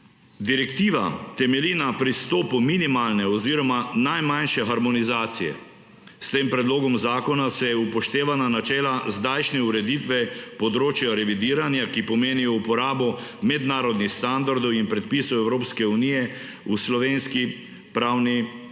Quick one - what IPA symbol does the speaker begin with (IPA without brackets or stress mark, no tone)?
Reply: d̪